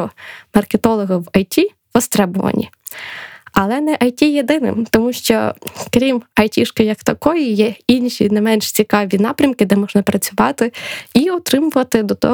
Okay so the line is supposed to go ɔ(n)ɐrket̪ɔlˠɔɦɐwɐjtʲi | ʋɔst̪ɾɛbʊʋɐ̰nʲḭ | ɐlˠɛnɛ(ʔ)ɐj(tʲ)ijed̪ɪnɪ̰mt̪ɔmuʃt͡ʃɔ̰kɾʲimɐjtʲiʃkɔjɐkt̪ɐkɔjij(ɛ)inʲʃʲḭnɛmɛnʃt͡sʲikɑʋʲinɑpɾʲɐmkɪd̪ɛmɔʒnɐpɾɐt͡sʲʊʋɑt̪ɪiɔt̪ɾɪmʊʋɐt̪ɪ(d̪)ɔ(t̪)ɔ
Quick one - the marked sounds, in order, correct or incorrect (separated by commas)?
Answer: incorrect, correct, correct, correct, correct, correct